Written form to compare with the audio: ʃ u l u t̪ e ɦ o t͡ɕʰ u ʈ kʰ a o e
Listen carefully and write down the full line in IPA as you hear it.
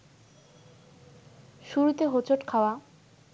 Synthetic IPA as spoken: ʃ u ɾ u t̪ e ɦ o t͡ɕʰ o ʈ kʰ a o a